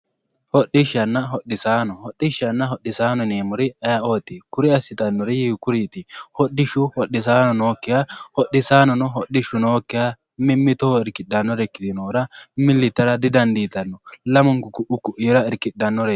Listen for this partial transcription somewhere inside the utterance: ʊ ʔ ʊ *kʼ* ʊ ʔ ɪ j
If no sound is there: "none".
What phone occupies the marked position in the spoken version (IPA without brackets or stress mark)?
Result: k